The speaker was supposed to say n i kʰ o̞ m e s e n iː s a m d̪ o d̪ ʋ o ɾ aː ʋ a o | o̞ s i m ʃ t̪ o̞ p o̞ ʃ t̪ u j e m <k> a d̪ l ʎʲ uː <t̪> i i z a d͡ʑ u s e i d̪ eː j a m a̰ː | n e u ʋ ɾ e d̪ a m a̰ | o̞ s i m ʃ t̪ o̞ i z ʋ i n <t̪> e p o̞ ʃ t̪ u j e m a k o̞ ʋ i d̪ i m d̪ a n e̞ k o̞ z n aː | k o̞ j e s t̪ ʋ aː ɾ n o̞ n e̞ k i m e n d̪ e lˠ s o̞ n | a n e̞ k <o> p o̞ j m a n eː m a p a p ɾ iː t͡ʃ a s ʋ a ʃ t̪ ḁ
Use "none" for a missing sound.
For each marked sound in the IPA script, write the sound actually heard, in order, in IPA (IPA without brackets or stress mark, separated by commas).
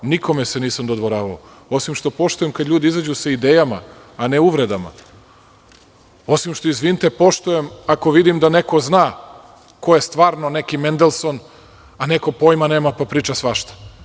k, d̪, t̪, o